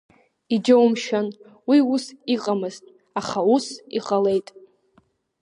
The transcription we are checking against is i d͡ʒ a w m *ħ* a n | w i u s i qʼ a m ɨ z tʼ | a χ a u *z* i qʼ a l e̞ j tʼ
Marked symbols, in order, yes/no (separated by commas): no, no